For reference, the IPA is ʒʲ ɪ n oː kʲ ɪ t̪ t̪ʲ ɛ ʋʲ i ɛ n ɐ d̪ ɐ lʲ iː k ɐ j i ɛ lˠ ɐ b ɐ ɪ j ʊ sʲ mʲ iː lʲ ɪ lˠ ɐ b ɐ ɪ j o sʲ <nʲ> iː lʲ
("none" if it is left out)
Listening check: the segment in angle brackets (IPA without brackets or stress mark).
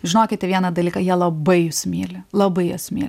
mʲ